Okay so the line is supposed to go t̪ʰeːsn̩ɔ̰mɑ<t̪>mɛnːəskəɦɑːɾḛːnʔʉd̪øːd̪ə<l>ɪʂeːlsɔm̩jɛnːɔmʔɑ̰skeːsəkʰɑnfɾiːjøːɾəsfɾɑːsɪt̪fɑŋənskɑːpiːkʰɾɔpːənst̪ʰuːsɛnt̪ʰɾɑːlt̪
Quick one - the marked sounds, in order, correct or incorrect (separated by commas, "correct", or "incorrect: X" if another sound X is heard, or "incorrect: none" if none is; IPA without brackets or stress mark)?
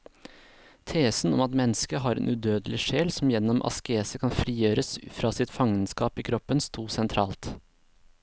correct, correct